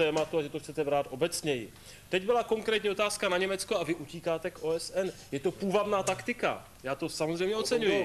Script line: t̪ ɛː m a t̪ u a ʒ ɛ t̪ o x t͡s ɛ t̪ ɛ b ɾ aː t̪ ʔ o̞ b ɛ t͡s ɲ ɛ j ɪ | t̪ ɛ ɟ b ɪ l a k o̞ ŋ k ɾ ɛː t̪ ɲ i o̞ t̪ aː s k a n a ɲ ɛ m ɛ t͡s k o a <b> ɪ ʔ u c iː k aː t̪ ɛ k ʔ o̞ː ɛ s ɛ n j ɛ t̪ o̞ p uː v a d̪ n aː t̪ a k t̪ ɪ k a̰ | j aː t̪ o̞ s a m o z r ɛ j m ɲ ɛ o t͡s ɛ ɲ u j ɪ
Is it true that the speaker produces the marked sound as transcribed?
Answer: no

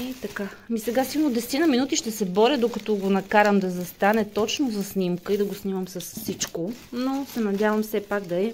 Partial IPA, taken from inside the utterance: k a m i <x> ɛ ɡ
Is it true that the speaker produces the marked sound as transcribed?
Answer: no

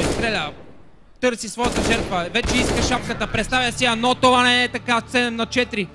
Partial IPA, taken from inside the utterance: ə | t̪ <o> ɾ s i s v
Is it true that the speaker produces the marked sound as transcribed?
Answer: no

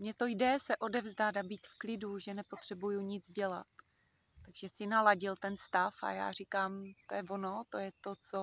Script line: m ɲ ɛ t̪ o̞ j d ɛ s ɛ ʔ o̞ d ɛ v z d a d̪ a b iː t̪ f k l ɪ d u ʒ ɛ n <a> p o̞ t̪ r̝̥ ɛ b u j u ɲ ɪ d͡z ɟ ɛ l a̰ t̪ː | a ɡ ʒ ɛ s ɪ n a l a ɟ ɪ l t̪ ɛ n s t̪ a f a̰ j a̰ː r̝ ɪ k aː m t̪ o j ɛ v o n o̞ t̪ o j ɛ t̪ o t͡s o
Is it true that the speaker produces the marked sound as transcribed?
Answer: no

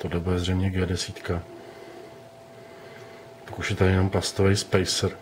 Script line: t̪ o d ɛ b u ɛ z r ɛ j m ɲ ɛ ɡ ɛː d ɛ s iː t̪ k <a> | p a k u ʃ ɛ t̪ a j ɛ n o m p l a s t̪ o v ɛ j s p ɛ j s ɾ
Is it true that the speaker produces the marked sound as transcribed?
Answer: yes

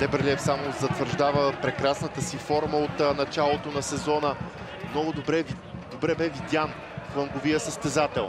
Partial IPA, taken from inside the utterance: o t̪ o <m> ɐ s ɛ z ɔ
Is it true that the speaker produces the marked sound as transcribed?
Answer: no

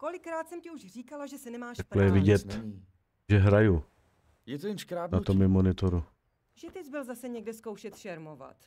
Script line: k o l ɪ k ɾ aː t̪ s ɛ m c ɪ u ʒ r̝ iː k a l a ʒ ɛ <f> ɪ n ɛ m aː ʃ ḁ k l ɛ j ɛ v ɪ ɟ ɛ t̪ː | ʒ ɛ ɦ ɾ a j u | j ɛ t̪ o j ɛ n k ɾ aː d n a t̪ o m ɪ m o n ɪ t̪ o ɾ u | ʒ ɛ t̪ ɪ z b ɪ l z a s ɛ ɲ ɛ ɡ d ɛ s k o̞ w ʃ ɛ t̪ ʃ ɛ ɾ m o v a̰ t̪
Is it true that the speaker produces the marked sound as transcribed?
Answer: no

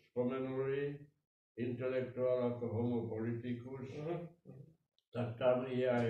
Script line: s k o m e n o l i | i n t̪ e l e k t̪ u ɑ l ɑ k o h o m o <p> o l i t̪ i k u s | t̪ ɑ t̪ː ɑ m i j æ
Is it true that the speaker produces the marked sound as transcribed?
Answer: yes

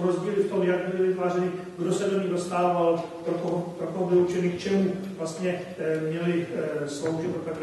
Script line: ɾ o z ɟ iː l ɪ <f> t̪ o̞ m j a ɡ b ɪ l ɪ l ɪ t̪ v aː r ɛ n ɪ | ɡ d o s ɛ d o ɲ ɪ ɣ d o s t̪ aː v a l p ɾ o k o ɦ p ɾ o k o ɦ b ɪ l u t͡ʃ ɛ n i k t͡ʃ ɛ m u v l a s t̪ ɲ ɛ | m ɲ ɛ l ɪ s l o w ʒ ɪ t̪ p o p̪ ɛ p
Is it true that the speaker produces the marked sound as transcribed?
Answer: yes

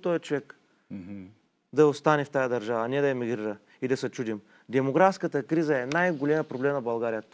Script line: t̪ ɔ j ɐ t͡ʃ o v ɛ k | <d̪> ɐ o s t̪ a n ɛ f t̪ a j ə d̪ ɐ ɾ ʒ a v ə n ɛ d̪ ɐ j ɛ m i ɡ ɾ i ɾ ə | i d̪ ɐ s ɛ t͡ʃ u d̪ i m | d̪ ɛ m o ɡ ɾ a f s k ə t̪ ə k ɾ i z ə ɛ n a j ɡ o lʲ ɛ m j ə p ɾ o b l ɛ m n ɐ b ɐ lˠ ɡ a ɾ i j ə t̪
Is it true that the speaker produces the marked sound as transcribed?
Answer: yes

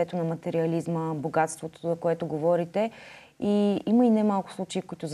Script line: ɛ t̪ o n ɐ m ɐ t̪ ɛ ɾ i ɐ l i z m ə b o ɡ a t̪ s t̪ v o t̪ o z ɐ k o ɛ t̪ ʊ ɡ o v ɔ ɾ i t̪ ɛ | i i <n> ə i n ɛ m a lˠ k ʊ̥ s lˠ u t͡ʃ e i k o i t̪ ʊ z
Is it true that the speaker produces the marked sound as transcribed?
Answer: no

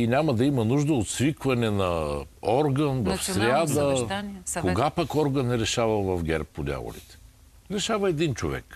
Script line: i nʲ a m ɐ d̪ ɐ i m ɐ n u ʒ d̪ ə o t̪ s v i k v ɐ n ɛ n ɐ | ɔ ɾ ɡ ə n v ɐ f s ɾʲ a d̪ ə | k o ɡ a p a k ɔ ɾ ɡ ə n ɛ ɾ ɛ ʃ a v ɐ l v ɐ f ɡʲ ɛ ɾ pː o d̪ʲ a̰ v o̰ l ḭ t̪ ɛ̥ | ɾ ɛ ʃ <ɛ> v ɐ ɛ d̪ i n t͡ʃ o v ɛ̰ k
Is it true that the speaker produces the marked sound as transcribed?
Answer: no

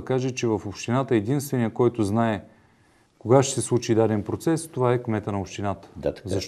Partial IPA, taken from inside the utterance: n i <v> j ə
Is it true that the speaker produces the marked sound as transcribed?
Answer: no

